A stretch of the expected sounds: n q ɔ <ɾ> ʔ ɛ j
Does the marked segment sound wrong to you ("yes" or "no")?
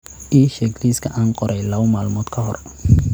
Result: no